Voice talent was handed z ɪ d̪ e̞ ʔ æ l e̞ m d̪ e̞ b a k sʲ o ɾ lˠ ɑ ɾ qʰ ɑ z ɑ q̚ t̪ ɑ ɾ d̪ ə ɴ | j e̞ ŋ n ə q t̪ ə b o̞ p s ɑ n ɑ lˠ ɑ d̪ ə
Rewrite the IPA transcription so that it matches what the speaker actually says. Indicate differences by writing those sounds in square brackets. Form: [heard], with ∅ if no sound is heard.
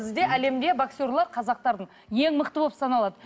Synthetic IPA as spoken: z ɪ d̪ e̞ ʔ æ l e̞ m d̪ e̞ b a k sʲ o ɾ lˠ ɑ ɾ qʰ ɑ z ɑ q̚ t̪ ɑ ɾ d̪ ə ɴ | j e̞ ŋ [m] ə q t̪ ə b o̞ p s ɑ n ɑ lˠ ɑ d̪ ə